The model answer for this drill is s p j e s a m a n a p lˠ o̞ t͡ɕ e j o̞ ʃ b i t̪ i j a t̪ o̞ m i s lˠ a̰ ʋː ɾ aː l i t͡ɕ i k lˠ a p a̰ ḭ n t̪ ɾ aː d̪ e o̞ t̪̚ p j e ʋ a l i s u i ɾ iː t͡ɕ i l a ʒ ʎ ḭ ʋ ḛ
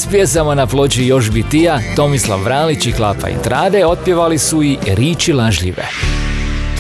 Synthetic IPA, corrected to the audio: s p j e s a m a n a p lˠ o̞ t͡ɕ i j o̞ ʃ b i t̪ i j a t̪ o̞ m i s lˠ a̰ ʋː ɾ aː l i t͡ɕ i k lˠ a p a̰ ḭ n t̪ ɾ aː d̪ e o̞ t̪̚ p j e ʋ a l i s u i ɾ iː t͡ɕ i l a ʒ ʎ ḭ ʋ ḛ